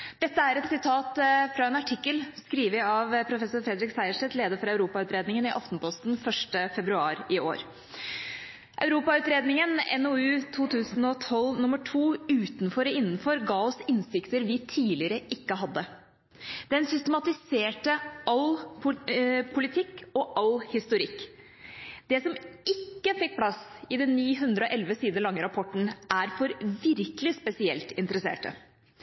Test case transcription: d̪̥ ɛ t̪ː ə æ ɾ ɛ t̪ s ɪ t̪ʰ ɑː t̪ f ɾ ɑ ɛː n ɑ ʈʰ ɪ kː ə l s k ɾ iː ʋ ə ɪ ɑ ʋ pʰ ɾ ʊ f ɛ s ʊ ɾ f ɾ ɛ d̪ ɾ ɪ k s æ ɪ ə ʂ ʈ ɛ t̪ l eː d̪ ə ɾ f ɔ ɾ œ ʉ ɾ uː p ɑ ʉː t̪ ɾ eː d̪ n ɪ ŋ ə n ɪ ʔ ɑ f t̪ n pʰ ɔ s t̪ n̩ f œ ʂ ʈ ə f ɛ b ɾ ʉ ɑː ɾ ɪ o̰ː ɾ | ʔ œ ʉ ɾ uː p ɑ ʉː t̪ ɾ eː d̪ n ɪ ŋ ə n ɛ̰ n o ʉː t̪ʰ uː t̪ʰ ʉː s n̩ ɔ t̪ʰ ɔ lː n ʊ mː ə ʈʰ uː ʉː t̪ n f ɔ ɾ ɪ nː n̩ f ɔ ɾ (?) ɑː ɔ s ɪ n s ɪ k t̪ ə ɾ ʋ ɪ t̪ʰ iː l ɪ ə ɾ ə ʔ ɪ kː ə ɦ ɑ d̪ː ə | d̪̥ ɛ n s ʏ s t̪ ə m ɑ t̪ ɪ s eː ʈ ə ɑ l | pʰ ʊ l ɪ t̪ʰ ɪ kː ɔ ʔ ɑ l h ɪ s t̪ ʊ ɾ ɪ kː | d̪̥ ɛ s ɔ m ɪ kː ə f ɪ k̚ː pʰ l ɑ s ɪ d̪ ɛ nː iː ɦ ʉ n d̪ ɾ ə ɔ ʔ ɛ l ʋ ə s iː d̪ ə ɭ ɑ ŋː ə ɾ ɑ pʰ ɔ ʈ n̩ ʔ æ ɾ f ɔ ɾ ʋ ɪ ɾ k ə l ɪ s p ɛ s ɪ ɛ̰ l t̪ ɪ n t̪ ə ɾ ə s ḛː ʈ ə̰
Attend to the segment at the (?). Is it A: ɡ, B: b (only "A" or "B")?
A